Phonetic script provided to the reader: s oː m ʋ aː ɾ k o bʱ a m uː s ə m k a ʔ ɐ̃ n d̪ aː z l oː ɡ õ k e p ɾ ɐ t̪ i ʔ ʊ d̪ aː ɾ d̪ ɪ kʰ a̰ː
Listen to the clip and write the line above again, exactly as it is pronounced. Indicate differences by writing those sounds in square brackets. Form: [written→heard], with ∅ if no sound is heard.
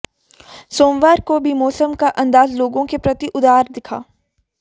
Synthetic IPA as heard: s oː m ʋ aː ɾ k o bʱ [a→i] m [uː→ɔː] s ə m k a ʔ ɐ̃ n d̪ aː z l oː ɡ õ k e p ɾ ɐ t̪ i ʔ ʊ d̪ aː ɾ d̪ ɪ kʰ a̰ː